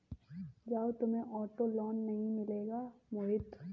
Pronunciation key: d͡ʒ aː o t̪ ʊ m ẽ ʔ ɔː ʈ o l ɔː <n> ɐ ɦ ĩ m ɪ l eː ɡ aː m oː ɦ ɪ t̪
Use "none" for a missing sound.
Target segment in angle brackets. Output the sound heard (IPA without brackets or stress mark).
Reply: nː